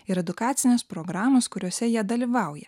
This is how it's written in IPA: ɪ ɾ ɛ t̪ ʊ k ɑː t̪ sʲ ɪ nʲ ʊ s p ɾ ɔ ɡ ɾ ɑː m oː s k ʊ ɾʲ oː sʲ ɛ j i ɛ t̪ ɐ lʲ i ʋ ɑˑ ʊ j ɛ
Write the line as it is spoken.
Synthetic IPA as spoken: ɪ ɾ ɛ d̪ ʊ k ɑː t̪ sʲ ɪ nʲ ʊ s p ɾ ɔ ɡ ɾ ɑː m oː s k ʊ ɾʲ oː sʲ ɛ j i ɛ d̪ ɐ lʲ i ʋ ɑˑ ʊ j ɛ

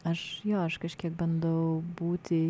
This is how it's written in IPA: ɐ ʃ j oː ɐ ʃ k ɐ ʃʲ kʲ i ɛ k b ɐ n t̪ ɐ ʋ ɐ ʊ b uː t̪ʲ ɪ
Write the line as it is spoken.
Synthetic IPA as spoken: ɐ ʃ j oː ɐ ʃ k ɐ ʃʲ kʲ i ɛ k b ɐ n d̪ ɐ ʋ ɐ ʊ b uː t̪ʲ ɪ

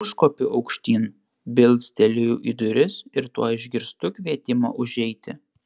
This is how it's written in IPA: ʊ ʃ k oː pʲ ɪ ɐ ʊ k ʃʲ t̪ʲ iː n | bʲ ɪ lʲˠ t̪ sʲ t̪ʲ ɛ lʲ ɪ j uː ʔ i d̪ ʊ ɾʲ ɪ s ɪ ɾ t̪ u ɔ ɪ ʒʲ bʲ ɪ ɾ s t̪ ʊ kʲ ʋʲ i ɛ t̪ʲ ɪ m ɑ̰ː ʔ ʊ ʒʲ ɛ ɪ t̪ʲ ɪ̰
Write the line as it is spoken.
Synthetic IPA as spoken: ʊ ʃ k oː pʲ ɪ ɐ ʊ k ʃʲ t̪ʲ iː n | bʲ ɪ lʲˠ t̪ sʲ t̪ʲ ɛ lʲ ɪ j uː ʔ i d̪ ʊ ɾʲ ɪ s ɪ ɾ t̪ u ɔ ɪ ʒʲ ɡʲ ɪ ɾ s t̪ ʊ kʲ ʋʲ i ɛ t̪ʲ ɪ m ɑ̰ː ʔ ʊ ʒʲ ɛ ɪ t̪ʲ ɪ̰

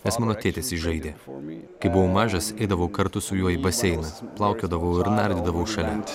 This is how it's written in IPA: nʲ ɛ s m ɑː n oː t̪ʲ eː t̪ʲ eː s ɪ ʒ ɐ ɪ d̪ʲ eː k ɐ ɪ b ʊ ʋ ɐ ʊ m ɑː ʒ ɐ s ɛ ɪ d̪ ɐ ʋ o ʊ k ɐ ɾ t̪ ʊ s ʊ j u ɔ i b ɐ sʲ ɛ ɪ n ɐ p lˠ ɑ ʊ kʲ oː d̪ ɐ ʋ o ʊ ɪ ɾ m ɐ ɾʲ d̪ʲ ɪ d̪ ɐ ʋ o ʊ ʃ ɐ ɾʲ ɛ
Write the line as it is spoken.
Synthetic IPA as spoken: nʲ ɛ s m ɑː n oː t̪ʲ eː t̪ʲ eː s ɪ ʒ ɐ ɪ d̪ʲ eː k ɐ ɪ b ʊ ʋ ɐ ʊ m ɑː ʒ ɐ s ɛ ɪ d̪ ɐ ʋ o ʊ k ɐ ɾ t̪ ʊ s ʊ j u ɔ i b ɐ sʲ ɛ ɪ n ɐ p lˠ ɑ ʊ kʲ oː d̪ ɐ ʋ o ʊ ɪ ɾ n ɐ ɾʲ d̪ʲ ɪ d̪ ɐ ʋ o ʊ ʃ ɐ lʲ ɛ

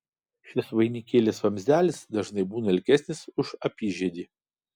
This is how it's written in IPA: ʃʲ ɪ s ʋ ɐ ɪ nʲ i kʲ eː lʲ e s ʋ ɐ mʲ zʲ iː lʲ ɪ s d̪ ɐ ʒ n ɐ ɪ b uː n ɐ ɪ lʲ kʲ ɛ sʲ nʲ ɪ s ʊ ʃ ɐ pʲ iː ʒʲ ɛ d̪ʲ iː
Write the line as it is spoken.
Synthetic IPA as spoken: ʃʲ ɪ s ʋ ɐ ɪ nʲ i kʲ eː lʲ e s ʋ ɐ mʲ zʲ æː lʲ ɪ s d̪ ɐ ʒ n ɐ ɪ b uː n ɐ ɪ lʲ kʲ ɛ sʲ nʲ ɪ s ʊ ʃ ɐ pʲ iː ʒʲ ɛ d̪ʲ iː

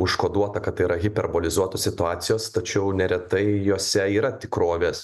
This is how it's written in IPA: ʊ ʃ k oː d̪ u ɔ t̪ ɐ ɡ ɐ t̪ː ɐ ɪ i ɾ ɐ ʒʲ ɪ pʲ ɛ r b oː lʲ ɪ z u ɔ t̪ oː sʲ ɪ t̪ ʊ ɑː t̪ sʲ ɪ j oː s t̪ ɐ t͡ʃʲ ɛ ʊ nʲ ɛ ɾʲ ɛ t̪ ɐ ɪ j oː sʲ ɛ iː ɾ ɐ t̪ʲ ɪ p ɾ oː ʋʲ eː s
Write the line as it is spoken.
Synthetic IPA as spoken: ʊ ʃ k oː d̪ u ɔ t̪ ɐ k ɐ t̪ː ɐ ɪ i ɾ ɐ ɣʲ ɪ pʲ ɛ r b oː lʲ ɪ z u ɔ t̪ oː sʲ ɪ t̪ ʊ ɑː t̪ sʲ ɪ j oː s t̪ ɐ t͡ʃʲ ɛ ʊ nʲ ɛ ɾʲ ɛ t̪ ɐ ɪ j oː sʲ ɛ iː ɾ ɐ t̪ʲ ɪ k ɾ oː ʋʲ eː s

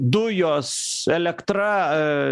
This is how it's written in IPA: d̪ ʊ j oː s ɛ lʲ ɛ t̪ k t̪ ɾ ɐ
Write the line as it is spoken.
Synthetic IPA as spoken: d̪ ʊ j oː s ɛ lʲ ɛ k t̪ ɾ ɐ

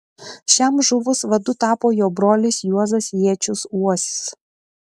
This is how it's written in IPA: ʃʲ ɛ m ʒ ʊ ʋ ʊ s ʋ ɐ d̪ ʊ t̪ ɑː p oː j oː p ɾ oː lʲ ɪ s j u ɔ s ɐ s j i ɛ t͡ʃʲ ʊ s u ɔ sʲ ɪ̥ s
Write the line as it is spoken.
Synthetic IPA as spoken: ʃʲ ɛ m ʒ ʊ ʋ ʊ s ʋ ɐ d̪ ʊ t̪ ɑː p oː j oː b ɾ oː lʲ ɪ s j u ɔ z ɐ s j i ɛ t͡ʃʲ ʊ s u ɔ sʲ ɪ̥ s

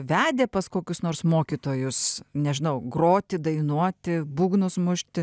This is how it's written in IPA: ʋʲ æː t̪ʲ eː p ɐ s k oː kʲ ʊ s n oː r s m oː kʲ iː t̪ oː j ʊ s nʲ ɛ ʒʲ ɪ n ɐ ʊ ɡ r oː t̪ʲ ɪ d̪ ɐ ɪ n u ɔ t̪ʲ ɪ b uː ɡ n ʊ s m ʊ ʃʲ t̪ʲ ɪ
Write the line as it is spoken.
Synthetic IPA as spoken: ʋʲ æː d̪ʲ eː p ɐ s k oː kʲ ʊ s n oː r s m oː kʲ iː t̪ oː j ʊ s nʲ ɛ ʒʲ ɪ n ɐ ʊ ɡ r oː t̪ʲ ɪ d̪ ɐ ɪ n u ɔ t̪ʲ ɪ b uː ɡ n ʊ s m ʊ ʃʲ t̪ʲ ɪ

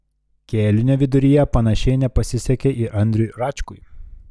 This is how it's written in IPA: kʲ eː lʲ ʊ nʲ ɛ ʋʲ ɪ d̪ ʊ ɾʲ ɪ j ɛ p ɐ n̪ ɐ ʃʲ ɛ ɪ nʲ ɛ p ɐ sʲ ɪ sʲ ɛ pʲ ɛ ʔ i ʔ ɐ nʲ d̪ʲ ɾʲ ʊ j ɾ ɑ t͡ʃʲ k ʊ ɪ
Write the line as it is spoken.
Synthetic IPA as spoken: kʲ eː lʲ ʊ nʲ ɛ ʋʲ ɪ d̪ ʊ ɾʲ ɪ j ɛ p ɐ n̪ ɐ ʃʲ ɛ ɪ nʲ ɛ p ɐ sʲ ɪ sʲ ɛ kʲ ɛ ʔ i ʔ ɐ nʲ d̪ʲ ɾʲ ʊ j ɾ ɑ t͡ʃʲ k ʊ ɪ

